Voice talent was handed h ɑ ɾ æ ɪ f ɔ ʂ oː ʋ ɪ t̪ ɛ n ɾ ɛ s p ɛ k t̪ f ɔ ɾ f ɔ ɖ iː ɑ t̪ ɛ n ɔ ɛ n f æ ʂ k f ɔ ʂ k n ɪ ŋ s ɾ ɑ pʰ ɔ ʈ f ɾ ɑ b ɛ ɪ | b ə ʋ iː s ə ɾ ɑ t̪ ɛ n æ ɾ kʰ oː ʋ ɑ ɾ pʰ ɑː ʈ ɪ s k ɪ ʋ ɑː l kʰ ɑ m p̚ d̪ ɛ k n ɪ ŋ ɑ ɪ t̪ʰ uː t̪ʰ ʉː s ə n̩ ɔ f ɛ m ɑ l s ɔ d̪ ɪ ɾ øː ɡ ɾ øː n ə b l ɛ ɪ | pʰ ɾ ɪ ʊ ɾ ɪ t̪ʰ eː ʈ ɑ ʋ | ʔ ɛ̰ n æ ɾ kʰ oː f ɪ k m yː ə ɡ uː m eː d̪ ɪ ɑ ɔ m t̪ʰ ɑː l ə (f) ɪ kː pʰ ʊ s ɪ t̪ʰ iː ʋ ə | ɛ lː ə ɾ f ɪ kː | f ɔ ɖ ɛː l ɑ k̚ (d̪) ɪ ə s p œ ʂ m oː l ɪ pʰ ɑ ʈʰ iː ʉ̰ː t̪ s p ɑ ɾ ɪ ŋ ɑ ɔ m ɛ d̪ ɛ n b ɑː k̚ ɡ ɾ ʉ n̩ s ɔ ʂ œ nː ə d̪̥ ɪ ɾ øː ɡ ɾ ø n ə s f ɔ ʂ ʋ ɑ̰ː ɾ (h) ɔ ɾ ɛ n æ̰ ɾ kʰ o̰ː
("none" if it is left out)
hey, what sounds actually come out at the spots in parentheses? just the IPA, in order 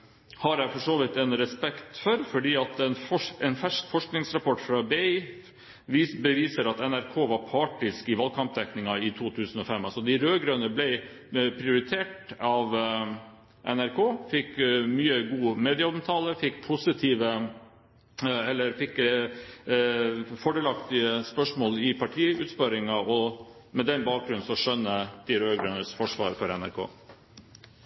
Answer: f, t̪, f

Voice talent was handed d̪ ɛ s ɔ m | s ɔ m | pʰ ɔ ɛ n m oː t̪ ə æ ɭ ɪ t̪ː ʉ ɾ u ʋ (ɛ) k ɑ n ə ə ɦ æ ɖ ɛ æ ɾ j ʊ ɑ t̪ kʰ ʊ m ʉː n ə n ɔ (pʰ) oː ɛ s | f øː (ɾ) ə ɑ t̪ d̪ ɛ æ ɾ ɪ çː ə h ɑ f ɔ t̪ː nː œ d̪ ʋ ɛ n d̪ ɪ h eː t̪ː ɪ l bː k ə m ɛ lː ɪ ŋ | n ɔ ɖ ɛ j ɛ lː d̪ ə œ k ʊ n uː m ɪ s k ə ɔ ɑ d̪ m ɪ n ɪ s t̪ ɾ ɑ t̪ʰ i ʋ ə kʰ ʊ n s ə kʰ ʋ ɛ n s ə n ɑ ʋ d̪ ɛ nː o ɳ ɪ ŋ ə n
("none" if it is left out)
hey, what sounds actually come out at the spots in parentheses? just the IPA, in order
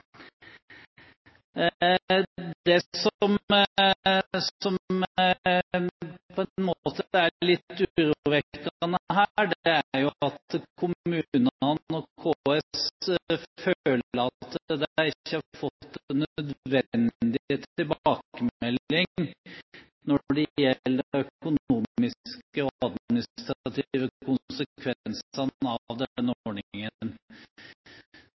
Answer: ɛ, kʰ, l

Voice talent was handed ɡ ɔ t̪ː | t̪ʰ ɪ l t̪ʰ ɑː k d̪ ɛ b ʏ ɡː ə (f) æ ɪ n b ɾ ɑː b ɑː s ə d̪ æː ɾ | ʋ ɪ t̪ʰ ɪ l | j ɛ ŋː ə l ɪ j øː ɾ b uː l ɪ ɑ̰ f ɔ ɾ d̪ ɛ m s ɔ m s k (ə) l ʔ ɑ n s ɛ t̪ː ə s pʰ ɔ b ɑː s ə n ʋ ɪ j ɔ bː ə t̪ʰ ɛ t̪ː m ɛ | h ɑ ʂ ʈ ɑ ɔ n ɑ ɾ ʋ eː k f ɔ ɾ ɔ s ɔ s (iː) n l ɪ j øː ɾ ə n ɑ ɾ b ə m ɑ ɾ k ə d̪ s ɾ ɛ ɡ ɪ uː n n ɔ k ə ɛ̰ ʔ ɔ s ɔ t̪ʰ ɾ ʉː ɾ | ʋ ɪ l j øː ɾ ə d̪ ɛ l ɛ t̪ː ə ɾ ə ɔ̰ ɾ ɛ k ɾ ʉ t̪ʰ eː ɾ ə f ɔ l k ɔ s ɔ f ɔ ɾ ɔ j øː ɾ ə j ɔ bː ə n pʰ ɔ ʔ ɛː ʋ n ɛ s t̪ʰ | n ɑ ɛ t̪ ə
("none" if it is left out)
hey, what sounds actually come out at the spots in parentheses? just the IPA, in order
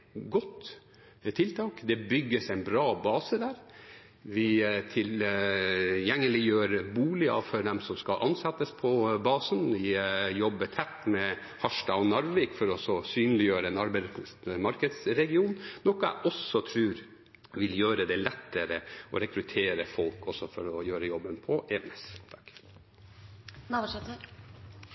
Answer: s, ɑ, yː

